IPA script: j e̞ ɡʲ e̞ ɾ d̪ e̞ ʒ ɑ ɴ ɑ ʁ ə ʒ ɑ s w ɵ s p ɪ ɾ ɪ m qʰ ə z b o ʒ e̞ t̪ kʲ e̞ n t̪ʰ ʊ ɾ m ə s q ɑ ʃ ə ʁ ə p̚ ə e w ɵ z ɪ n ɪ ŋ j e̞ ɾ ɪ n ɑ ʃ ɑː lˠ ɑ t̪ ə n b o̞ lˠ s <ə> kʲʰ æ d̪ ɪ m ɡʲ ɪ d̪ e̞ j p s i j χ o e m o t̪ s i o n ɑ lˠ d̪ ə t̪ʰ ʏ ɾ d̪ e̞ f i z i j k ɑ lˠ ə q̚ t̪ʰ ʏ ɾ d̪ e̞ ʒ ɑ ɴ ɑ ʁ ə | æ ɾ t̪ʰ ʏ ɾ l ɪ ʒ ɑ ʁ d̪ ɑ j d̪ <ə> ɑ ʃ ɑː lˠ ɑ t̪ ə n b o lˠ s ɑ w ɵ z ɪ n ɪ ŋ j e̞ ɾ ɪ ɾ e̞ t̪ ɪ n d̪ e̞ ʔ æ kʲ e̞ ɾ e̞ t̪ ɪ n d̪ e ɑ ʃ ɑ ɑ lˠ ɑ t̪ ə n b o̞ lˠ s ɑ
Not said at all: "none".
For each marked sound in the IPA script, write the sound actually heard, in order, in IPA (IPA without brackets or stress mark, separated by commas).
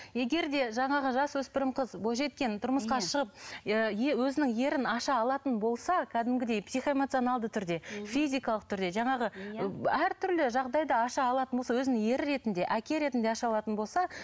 ɑ, ɑ